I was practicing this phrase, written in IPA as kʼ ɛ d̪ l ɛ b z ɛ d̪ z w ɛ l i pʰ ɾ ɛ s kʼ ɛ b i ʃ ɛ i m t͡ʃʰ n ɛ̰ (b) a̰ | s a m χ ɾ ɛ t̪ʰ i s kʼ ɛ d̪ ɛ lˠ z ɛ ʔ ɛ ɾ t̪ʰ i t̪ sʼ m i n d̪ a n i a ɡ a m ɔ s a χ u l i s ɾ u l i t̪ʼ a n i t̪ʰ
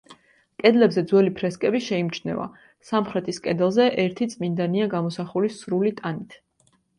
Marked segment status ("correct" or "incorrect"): incorrect